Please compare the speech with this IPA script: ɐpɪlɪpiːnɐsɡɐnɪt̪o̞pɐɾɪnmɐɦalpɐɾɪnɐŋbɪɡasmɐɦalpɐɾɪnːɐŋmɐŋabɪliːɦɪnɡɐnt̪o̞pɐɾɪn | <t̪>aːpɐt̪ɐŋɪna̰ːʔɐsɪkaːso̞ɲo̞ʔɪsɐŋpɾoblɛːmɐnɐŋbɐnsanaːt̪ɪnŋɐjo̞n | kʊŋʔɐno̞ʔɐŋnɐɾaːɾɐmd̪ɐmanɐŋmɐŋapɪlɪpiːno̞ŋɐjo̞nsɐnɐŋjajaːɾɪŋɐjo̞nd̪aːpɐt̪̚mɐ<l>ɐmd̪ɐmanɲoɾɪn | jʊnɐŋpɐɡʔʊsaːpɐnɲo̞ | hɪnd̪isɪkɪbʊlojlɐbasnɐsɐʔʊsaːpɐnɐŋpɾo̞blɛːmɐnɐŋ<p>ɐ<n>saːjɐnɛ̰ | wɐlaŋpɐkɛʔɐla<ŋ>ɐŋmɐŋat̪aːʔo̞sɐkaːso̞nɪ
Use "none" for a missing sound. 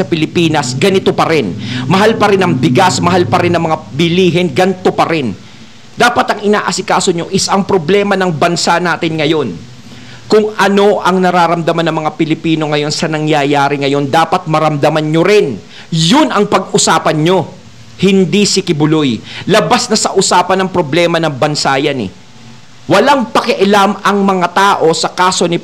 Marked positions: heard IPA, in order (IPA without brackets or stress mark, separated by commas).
d̪, ɾ, b, n, m